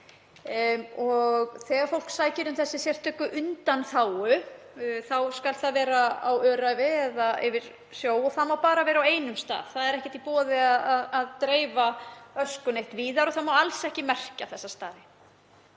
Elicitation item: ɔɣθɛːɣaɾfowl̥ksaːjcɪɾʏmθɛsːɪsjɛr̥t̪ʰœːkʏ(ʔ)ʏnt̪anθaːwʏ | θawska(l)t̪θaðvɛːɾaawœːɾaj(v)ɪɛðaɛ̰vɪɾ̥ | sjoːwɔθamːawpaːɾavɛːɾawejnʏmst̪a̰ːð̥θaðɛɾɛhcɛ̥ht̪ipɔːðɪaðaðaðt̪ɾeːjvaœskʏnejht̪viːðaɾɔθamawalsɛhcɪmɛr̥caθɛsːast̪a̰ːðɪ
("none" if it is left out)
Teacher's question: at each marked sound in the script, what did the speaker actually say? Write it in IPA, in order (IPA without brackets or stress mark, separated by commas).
ʔ, l, v